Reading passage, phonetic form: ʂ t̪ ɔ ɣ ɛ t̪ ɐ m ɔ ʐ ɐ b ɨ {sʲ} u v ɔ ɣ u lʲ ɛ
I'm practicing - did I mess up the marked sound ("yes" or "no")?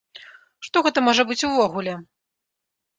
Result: yes